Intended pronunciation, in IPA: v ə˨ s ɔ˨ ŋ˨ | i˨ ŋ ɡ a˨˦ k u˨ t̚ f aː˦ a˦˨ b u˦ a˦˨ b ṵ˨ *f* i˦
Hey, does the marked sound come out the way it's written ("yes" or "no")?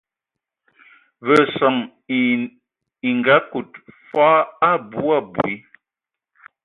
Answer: no